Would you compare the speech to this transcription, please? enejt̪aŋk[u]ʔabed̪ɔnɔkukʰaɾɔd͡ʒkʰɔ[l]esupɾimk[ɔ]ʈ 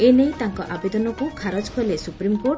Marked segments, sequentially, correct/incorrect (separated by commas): incorrect, correct, incorrect